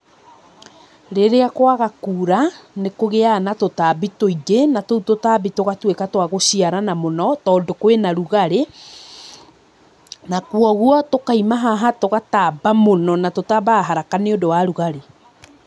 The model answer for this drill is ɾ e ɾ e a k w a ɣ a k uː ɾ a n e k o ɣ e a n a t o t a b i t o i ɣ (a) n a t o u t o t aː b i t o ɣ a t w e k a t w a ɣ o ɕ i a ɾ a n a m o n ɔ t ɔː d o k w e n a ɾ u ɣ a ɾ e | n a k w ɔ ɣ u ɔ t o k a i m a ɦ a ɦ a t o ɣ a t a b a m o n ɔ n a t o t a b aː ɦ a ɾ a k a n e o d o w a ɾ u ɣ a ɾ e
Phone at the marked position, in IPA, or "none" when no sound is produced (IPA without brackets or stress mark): e